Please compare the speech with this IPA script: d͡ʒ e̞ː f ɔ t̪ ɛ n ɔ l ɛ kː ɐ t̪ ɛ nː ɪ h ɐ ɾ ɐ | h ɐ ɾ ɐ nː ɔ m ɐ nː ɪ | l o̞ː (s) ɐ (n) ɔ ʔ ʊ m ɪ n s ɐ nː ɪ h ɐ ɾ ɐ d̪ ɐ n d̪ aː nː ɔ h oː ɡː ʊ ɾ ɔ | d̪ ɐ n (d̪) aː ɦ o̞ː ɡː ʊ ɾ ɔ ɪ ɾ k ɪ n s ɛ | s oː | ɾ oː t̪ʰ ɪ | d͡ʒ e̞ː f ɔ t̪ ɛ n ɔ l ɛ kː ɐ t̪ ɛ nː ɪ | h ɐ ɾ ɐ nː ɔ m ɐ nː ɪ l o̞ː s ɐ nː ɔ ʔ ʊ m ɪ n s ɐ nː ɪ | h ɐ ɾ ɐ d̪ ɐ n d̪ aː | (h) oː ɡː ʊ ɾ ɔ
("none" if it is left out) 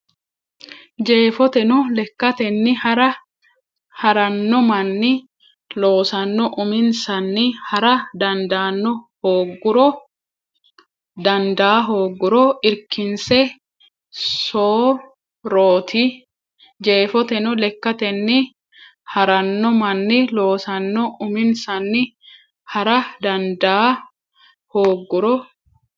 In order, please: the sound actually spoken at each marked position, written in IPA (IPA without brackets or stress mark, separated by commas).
s, nː, d̪, h